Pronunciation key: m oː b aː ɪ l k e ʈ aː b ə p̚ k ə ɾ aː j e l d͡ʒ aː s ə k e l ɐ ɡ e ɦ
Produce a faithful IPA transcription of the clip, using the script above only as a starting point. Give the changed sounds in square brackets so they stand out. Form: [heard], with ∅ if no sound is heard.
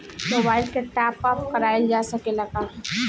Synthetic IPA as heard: m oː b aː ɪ l k e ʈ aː [p] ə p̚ k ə ɾ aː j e l d͡ʒ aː s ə k e l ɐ ɡ [a] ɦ